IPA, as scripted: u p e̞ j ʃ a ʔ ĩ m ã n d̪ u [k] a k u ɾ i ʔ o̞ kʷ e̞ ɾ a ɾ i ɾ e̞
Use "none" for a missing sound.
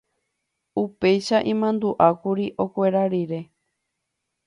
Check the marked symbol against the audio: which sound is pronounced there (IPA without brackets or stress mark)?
ʔ